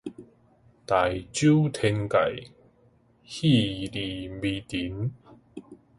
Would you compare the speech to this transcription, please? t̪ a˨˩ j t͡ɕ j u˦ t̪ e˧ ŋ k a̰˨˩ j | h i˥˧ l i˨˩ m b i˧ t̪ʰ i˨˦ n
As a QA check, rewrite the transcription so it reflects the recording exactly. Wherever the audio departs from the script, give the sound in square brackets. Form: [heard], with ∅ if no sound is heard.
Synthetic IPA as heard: t̪ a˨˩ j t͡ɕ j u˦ [t̪ʰ] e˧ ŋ k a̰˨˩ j | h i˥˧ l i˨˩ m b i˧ [t̪] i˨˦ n